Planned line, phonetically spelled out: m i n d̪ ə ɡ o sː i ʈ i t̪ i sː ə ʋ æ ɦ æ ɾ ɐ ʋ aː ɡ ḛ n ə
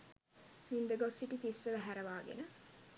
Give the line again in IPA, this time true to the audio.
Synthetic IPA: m i n d̪ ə ɡ o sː i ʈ i t̪ i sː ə ʋ æ ɦ æ ɾ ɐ ʋ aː ɡ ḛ n ə

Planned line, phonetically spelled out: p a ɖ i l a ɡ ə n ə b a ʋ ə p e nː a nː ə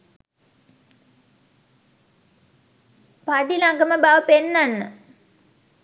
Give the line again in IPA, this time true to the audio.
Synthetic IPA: p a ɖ i l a ɡ ə m ə b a ʋ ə p e nː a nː ə

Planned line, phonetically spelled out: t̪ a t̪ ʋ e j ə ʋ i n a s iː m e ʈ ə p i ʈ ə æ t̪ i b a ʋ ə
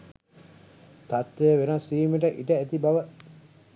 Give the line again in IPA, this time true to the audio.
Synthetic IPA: t̪ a t̪ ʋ e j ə ʋ e n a s iː m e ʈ ə ʔ i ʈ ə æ t̪ i b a ʋ ə

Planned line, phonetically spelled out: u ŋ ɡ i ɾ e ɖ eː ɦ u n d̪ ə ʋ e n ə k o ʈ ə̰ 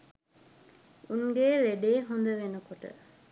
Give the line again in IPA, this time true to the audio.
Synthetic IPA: u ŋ ɡ e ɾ e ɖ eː ɦ o n d̪ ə ʋ e n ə k o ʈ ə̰

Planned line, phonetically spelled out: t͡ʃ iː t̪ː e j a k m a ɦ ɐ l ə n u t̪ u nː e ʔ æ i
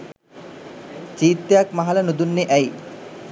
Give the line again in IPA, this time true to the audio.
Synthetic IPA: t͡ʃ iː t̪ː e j a k m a ɦ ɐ l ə n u d̪ u nː e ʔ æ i

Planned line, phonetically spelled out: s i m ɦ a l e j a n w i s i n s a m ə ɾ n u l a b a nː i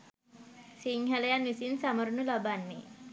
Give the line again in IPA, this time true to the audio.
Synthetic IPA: s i ŋ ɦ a l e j a n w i s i n s a m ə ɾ n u l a b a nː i

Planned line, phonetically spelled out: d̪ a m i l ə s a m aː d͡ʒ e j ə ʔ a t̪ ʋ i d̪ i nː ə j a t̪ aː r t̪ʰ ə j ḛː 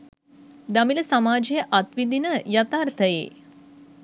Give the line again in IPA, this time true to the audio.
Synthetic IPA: d̪ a m i l ə s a m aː d͡ʒ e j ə ʔ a t̪ ʋ i d̪ i n ə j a t̪ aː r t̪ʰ ə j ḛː

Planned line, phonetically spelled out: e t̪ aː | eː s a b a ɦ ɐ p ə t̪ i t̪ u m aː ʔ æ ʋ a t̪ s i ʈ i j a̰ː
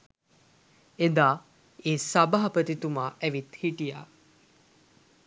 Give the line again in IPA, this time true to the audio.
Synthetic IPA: e d̪ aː | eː s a b a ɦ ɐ p ə t̪ i t̪ u m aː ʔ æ ʋ i t̪ h i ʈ i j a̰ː

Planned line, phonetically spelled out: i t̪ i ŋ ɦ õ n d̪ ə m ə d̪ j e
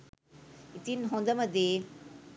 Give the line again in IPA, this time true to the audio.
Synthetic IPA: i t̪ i n ɦ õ n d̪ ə m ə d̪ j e

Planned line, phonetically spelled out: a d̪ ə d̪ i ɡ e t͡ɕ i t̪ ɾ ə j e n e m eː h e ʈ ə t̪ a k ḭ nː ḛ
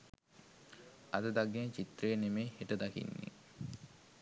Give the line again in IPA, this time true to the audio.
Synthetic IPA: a d̪ ə d̪ a ɡ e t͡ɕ i t̪ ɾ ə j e n e m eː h e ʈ ə d̪ a k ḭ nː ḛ

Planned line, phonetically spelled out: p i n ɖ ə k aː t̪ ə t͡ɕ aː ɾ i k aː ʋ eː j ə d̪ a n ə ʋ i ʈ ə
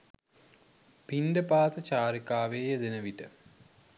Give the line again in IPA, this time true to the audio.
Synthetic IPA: p i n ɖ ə p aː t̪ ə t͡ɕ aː ɾ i k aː ʋ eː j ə d̪ e n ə ʋ i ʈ ə

